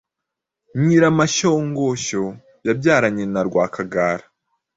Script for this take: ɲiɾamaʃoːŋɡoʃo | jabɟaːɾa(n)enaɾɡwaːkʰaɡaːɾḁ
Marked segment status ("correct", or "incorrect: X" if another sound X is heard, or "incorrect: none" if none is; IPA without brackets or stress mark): incorrect: ɲ